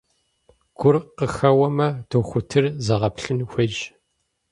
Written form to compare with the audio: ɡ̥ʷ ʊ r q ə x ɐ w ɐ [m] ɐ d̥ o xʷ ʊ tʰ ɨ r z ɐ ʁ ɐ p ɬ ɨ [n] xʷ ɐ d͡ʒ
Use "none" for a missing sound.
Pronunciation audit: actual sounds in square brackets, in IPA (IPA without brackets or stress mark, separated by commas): m, n